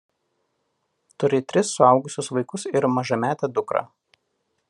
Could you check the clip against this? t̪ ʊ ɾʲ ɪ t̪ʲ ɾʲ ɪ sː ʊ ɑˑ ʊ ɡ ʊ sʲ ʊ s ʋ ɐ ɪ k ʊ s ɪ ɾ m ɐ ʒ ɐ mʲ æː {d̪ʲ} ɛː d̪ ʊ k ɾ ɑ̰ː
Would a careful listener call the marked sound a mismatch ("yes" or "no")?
yes